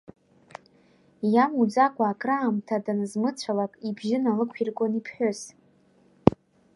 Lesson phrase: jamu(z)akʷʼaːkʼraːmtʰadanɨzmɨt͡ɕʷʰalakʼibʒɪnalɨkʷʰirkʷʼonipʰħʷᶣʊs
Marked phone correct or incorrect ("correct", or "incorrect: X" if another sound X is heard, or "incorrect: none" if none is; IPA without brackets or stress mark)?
incorrect: d͡z